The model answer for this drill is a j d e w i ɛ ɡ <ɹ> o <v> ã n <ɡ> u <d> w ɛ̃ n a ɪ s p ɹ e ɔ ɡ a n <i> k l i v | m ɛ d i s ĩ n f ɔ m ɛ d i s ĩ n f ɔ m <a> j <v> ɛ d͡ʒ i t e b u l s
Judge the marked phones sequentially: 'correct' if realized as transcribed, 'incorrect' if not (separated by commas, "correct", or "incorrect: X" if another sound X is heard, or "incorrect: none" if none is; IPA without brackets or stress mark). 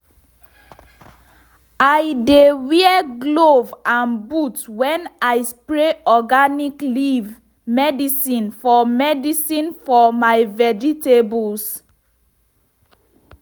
incorrect: l, correct, incorrect: b, incorrect: t, correct, correct, correct